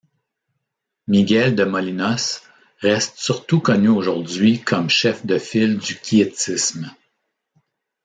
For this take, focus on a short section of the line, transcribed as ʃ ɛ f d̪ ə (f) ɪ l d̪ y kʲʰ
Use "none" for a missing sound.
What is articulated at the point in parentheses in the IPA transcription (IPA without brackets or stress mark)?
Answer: f